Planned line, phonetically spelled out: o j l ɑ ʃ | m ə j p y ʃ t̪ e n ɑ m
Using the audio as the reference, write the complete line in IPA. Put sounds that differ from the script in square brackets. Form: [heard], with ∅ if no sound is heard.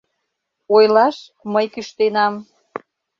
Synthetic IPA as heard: o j l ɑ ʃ | m ə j [k] y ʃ t̪ e n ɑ m

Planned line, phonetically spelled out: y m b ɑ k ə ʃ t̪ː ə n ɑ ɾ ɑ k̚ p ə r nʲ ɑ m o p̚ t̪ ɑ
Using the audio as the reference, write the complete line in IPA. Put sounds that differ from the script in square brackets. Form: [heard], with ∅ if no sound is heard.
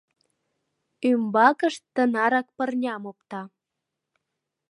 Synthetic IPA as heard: y m b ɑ k ə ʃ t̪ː ə n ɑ ɾ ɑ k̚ p ə r nʲ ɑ m o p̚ t̪ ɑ

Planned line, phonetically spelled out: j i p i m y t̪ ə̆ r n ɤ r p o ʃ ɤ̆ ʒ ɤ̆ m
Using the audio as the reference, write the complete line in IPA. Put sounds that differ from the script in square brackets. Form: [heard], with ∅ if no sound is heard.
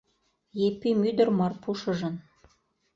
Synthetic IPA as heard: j [e] p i m y [d̪] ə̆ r [m] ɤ r p [u] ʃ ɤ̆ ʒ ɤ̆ [n]

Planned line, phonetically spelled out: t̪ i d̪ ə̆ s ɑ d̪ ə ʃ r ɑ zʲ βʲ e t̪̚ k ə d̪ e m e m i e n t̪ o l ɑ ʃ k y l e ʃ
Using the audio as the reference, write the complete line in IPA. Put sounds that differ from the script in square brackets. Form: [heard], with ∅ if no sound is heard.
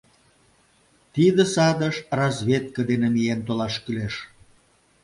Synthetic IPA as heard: t̪ i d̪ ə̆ s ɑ d̪ ə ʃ r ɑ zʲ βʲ e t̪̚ k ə d̪ e [n] e m i e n t̪ o l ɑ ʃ k y l e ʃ

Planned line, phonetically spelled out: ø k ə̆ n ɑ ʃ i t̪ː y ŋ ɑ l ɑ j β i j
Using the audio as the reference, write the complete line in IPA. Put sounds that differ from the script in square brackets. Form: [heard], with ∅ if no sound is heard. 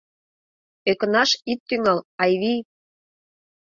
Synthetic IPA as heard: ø k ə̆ n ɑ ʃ i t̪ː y ŋ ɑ l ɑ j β i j

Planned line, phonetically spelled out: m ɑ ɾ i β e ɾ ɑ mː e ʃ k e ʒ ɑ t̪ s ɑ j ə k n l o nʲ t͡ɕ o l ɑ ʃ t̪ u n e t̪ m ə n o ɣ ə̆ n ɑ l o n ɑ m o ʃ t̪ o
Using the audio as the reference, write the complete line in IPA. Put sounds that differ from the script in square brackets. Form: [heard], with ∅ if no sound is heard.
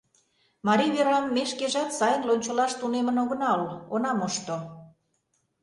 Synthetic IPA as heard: m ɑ ɾ i β e ɾ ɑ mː e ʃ k e ʒ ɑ t̪ s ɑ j ə [∅] n l o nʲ t͡ɕ o l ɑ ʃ t̪ u n e [∅] m ə n o ɣ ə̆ n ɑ l o n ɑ m o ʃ t̪ o

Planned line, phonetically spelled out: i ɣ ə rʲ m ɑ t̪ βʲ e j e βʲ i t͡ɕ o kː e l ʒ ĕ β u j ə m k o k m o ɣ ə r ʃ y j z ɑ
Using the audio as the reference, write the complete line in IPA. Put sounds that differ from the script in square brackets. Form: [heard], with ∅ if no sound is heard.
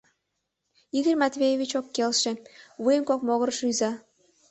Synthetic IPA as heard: i ɣ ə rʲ m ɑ t̪ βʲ e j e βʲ i t͡ɕ o kː e l [ʃ] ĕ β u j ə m k o k m o ɣ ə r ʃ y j z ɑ

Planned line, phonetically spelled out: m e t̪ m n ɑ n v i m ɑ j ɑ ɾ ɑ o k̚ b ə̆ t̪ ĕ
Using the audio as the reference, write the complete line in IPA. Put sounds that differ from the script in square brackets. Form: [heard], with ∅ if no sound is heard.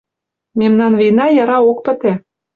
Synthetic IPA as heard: m e [∅] m n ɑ n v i [n] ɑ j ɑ ɾ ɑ o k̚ [p] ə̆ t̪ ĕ

